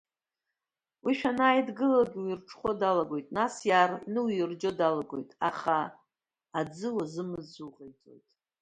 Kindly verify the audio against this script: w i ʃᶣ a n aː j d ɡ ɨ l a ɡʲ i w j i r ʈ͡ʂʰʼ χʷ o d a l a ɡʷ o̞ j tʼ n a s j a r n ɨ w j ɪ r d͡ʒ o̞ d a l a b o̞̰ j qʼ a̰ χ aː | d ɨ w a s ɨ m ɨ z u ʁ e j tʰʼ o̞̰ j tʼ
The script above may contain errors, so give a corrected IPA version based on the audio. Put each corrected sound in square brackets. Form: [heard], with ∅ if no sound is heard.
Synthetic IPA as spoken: w i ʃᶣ a n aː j d ɡ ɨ l a ɡʲ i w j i r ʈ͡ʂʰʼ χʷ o d a l a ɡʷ o̞ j tʼ n a s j a r n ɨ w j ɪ r d͡ʒ o̞ d a l a [ɡ] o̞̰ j [tʼ] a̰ χ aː | [d͡z] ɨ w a [z] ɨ m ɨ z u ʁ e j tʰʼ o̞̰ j tʼ